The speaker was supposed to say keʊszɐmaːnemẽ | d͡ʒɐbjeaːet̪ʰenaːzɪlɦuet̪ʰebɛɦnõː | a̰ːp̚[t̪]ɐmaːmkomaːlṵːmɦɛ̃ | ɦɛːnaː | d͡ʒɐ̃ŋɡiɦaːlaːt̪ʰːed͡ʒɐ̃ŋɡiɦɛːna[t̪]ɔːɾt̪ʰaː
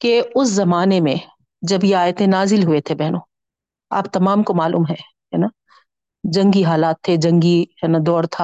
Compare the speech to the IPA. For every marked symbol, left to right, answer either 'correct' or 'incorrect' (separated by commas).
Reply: correct, incorrect